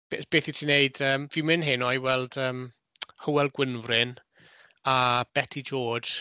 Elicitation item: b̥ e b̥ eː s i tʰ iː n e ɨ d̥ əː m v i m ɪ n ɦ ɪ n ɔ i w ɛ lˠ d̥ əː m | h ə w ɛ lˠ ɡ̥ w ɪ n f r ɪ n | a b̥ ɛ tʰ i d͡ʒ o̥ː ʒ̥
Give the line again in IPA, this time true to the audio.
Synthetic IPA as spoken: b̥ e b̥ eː θ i tʰ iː n e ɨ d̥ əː m v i m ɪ n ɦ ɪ n ɔ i w ɛ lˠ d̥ əː m | h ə w ɛ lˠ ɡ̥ w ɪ n v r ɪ n | a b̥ ɛ tʰ i d͡ʒ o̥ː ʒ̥